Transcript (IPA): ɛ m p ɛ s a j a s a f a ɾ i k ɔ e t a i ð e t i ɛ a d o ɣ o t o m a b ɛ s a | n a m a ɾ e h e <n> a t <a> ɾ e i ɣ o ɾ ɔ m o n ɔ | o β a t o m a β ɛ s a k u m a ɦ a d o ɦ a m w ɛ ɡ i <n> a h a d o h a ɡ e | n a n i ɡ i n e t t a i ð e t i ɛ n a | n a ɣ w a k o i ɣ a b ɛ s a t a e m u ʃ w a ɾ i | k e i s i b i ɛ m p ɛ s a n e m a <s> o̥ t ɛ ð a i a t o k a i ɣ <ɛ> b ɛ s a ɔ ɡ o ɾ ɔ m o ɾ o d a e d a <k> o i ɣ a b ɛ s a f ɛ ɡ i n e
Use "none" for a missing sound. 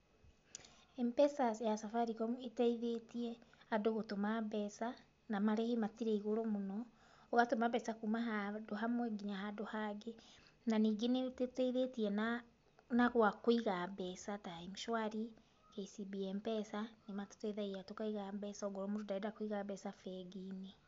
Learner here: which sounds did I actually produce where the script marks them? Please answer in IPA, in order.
m, i, ɲ, t, a, k

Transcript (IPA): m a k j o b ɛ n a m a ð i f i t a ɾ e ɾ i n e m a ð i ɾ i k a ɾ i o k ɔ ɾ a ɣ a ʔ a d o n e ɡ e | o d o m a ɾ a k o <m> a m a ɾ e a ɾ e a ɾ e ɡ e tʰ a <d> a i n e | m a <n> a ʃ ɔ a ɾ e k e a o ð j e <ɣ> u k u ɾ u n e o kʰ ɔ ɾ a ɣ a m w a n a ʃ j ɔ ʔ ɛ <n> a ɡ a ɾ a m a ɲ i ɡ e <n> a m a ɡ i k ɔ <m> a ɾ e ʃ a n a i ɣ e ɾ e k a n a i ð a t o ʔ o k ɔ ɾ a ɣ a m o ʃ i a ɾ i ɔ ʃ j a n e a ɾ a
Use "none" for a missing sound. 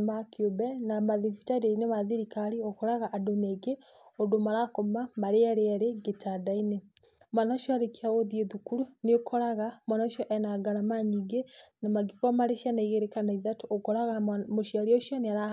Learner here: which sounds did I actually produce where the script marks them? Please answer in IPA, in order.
m, d, n, ð, n, n, m

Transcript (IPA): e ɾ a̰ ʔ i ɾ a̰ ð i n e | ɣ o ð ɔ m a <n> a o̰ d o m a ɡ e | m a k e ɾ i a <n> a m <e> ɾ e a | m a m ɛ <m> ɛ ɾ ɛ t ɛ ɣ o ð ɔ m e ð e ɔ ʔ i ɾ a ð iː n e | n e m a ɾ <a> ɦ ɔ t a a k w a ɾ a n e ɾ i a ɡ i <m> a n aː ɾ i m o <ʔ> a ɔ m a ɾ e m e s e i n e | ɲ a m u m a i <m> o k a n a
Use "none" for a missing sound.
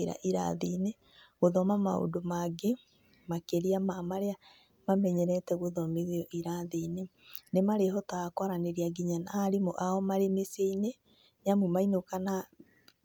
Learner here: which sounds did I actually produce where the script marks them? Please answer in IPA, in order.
m, m, a, ɲ, e, ɲ, ʔ, n

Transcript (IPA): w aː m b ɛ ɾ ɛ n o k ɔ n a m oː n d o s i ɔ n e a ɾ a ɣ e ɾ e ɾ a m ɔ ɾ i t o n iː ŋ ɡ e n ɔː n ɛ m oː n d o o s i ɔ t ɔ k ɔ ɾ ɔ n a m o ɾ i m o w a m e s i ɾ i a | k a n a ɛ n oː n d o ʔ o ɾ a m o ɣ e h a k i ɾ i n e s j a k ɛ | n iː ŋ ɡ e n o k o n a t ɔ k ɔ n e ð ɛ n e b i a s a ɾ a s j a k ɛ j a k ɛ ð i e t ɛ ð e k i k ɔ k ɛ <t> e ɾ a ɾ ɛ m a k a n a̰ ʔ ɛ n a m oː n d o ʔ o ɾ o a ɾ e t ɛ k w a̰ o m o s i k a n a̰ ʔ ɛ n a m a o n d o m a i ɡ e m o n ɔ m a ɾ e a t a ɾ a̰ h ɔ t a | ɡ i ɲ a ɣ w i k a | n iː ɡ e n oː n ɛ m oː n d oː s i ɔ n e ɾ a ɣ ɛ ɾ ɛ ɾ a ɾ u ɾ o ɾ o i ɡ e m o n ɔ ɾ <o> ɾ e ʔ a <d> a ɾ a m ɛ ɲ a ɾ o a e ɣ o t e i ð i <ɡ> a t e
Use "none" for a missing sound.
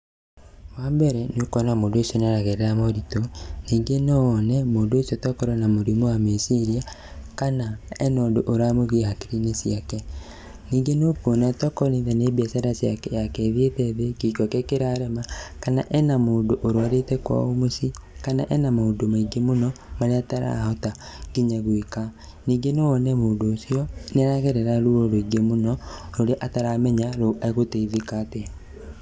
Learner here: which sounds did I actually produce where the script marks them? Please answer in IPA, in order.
k, o, t, k

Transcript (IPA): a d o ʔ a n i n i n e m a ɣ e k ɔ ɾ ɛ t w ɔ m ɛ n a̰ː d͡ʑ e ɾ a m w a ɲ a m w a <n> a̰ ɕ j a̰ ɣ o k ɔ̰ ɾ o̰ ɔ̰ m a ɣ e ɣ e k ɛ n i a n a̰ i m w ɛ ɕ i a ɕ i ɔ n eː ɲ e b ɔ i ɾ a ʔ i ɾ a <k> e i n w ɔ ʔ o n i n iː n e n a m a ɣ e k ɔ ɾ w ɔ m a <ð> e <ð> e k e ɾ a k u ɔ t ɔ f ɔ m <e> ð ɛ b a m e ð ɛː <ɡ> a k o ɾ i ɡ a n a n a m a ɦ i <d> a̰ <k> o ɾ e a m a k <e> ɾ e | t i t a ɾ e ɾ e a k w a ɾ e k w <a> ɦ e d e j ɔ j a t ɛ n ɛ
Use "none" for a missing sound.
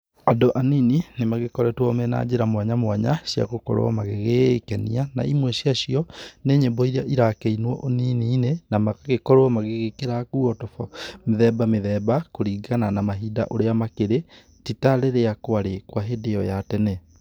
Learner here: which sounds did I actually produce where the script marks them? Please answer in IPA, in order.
ɲ, k, ɣ, ɣ, e, b, d, ʔ, e, a

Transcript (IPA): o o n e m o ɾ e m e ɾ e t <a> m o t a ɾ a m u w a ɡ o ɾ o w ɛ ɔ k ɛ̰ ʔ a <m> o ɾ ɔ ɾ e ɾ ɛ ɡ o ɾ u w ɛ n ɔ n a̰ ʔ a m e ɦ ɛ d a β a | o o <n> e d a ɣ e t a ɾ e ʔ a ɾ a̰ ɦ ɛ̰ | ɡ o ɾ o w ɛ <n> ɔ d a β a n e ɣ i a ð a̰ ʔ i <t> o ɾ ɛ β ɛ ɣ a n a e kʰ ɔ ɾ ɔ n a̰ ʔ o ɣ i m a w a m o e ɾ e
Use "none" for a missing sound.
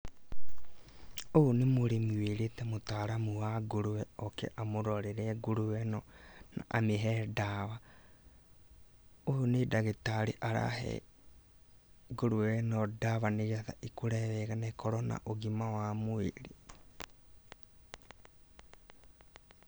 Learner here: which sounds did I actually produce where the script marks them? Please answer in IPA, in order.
ɛ, m, n, n, k

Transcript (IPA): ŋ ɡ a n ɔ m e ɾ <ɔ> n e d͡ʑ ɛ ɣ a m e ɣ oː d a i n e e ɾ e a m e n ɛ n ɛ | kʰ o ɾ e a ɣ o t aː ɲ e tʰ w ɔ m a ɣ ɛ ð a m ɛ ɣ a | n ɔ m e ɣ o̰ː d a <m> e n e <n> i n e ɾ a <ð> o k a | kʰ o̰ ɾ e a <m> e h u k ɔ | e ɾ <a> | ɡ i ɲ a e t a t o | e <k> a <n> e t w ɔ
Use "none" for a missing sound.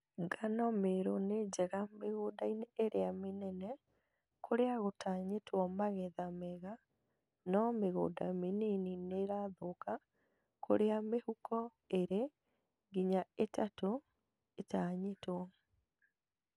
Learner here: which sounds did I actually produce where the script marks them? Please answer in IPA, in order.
o, m, n, ð, m, e, t, ɲ

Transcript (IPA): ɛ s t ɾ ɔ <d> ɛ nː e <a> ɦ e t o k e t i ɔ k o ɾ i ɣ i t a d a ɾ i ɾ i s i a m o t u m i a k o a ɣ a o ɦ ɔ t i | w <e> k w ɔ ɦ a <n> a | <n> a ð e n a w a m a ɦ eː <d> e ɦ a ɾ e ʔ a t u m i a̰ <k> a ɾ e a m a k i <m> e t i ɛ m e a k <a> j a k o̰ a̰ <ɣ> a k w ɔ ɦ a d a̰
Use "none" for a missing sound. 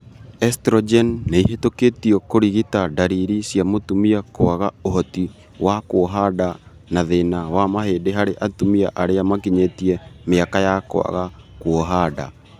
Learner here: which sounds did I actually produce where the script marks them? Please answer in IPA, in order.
d͡ʒ, i, a, d, n, d, ʔ, ɲ, a, ɣ

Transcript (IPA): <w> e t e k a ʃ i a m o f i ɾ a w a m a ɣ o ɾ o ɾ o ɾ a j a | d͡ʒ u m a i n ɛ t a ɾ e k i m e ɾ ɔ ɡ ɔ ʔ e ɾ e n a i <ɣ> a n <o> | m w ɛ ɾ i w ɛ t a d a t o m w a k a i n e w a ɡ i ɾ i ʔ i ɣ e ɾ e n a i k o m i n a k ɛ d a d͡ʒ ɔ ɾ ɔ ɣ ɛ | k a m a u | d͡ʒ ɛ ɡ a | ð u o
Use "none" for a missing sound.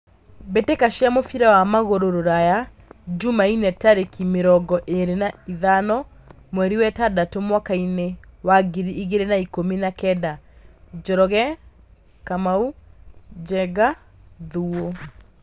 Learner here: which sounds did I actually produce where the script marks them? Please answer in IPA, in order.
b, ð, ɔ

